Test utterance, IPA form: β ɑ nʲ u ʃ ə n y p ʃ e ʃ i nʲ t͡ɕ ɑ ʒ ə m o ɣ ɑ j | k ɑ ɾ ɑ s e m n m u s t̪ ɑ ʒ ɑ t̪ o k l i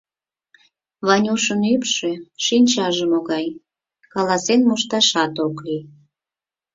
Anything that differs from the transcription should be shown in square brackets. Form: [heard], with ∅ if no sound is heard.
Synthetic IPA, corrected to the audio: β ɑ nʲ u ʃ ə n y p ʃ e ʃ i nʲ t͡ɕ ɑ ʒ ə m o ɣ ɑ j | k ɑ [l] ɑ s e [∅] n m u [ʃ] t̪ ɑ [ʃ] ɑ t̪ o k l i